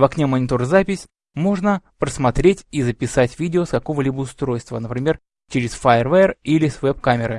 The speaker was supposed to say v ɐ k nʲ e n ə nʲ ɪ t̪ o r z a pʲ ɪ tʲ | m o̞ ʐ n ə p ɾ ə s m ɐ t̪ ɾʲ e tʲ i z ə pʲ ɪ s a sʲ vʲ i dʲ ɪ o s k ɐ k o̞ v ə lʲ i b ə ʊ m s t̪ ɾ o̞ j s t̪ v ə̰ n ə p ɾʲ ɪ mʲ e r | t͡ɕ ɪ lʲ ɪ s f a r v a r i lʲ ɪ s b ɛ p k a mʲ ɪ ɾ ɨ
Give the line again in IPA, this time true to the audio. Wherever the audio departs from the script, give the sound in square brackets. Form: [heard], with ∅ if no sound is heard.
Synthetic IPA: v ɐ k nʲ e [m] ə nʲ ɪ t̪ o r z a pʲ ɪ [sʲ] | m o̞ ʐ n ə p ɾ ə s m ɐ t̪ ɾʲ e tʲ i z ə pʲ ɪ s a [tʲ] vʲ i dʲ ɪ o s k ɐ k o̞ v ə lʲ i b ə ʊ [∅] s t̪ ɾ o̞ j s t̪ v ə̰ n ə p ɾʲ ɪ mʲ e r | t͡ɕ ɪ [ɾʲ] ɪ s f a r v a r i lʲ ɪ s [v] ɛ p k a mʲ ɪ ɾ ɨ

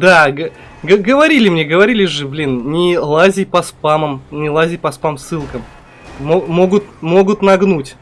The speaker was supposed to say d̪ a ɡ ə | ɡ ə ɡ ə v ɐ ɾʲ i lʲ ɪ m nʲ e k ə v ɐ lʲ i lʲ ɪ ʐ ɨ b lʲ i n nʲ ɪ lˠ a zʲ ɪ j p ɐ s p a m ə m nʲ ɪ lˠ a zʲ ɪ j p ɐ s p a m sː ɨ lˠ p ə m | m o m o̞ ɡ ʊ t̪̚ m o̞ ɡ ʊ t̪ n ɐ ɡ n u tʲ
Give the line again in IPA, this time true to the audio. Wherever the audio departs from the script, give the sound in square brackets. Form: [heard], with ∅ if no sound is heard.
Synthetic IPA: d̪ a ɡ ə | ɡ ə ɡ ə v ɐ ɾʲ i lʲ ɪ m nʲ e [ɡ] ə v ɐ [ɾʲ] i lʲ ɪ ʐ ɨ b lʲ i n nʲ ɪ lˠ a zʲ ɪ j p ɐ s p a m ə m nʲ ɪ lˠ a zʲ ɪ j p ɐ s p a m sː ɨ lˠ [k] ə m | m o m o̞ ɡ ʊ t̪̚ m o̞ ɡ ʊ t̪ n ɐ ɡ n u tʲ

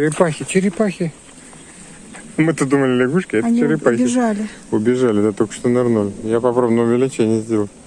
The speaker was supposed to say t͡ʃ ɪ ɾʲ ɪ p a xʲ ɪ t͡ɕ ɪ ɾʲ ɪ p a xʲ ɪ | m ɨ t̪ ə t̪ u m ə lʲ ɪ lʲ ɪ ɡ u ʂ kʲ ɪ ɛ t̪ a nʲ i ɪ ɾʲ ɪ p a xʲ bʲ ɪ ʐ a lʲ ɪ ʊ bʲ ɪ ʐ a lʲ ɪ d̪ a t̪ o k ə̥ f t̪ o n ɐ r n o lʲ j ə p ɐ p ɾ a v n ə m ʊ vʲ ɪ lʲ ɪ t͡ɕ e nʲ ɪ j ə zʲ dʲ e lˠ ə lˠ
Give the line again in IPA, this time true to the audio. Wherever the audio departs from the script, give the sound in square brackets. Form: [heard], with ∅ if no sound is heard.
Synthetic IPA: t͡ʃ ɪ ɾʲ ɪ p a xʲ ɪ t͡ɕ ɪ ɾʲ ɪ p a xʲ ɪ | m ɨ t̪ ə [d̪] u m ə lʲ ɪ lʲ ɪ ɡ u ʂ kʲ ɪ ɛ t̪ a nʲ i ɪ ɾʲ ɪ p a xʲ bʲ ɪ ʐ a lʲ ɪ ʊ bʲ ɪ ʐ a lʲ ɪ d̪ a t̪ o k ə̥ [ʂ] t̪ o n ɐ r n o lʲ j [a] p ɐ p ɾ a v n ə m ʊ vʲ ɪ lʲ ɪ t͡ɕ e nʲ ɪ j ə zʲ dʲ e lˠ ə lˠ

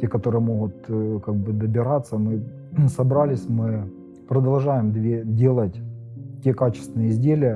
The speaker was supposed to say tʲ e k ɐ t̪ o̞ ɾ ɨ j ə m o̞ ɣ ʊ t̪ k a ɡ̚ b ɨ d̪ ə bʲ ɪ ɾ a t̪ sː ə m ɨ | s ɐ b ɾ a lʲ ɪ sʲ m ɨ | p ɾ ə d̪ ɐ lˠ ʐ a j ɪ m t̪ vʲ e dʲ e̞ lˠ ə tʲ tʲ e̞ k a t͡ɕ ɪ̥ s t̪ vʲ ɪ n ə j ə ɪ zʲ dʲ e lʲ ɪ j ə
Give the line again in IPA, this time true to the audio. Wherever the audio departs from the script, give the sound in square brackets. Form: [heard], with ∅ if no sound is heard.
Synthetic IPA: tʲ e k ɐ t̪ o̞ ɾ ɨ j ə m o̞ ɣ ʊ t̪ k a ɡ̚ b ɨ d̪ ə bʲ ɪ ɾ a t̪ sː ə m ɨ | s ɐ b ɾ a lʲ ɪ sʲ m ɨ | p ɾ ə d̪ ɐ lˠ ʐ a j ɪ m [d̪] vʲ e dʲ e̞ lˠ ə tʲ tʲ e̞ k a t͡ɕ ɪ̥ s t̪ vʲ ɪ n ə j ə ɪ zʲ dʲ e lʲ ɪ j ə

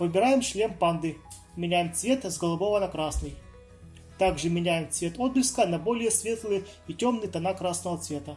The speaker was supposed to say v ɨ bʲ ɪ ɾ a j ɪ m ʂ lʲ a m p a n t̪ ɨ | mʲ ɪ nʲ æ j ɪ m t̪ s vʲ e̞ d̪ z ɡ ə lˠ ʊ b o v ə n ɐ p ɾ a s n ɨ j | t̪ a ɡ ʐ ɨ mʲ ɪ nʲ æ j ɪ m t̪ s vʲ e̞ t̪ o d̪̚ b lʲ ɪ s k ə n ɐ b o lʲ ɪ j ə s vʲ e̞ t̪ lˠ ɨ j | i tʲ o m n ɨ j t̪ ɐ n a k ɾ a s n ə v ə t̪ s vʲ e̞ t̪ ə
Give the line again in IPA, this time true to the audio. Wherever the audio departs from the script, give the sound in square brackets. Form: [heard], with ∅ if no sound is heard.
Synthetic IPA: v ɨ bʲ ɪ ɾ a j ɪ m ʂ lʲ [e] m p a n [d̪] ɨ | mʲ ɪ nʲ æ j ɪ m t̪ s vʲ e̞ [t̪] z ɡ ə lˠ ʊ b o v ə n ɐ [k] ɾ a s n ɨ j | t̪ a ɡ ʐ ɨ mʲ ɪ nʲ æ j ɪ m t̪ s vʲ e̞ t̪ o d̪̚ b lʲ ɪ s k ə n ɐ b o lʲ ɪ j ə s vʲ e̞ t̪ lˠ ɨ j | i tʲ o m n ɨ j t̪ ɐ n a k ɾ a s n ə v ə t̪ s vʲ e̞ t̪ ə

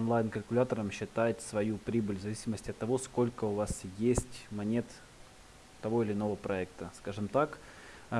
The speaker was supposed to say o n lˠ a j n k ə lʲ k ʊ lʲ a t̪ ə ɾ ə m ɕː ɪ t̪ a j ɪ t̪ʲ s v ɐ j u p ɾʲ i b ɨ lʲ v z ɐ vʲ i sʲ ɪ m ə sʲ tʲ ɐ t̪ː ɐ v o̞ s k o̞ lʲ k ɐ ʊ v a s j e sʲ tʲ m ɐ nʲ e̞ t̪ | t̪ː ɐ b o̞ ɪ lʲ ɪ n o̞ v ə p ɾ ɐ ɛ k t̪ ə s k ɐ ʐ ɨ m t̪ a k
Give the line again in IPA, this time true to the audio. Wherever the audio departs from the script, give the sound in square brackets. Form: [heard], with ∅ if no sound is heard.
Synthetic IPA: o n lˠ a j n k ə lʲ k ʊ lʲ a t̪ ə ɾ ə m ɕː ɪ t̪ a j ɪ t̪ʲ s v ɐ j u p ɾʲ i b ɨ lʲ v z ɐ vʲ i sʲ ɪ m ə sʲ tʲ ɐ t̪ː ɐ v o̞ s k o̞ lʲ k [ə] ʊ v a s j e sʲ tʲ m ɐ nʲ e̞ t̪ | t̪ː ɐ [v] o̞ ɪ lʲ ɪ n o̞ v ə p ɾ ɐ ɛ k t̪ ə s k [a] ʐ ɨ m t̪ a k

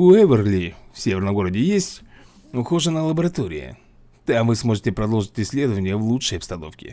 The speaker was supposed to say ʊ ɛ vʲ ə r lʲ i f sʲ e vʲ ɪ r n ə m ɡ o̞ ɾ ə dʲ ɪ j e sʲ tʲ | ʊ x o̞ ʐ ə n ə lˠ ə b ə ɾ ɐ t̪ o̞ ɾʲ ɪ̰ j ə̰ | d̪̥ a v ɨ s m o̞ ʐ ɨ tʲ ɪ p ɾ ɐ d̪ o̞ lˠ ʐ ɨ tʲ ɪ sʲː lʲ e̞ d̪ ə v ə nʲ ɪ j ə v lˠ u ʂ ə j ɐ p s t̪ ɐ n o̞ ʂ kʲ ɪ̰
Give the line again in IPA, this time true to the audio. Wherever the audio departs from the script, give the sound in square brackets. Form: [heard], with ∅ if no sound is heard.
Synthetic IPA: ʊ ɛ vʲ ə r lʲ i f sʲ e vʲ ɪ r n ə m ɡ o̞ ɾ ə dʲ ɪ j e sʲ tʲ | ʊ x o̞ ʐ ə n ə lˠ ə b ə ɾ ɐ t̪ o̞ ɾʲ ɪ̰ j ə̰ | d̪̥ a v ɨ s m o̞ ʐ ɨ tʲ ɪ p ɾ ɐ d̪ o̞ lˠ ʐ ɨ tʲ ɪ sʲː lʲ e̞ d̪ ə v ə nʲ ɪ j ə v lˠ u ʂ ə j ɐ p s t̪ ɐ n o̞ [f] kʲ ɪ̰

